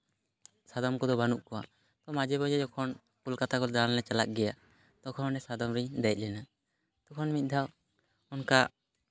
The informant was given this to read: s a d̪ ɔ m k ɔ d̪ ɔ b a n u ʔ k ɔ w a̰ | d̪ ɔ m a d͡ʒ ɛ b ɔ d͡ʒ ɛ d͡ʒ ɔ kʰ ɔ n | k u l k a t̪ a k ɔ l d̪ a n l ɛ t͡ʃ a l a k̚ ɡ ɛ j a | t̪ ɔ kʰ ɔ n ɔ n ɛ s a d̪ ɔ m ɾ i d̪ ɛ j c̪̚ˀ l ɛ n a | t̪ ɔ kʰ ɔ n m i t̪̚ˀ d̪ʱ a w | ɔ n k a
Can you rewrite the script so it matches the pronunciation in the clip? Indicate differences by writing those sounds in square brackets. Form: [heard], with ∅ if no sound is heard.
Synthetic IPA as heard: s a d̪ ɔ m k ɔ d̪ ɔ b a n u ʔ k ɔ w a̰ | [t̪] ɔ m a d͡ʒ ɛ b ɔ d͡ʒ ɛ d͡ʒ ɔ kʰ ɔ n | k u l k a t̪ a k ɔ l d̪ a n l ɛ t͡ʃ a l a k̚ ɡ ɛ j a | t̪ ɔ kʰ ɔ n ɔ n ɛ s a d̪ ɔ m ɾ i d̪ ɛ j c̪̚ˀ l ɛ n a | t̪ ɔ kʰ ɔ n m i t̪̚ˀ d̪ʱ a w | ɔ n k a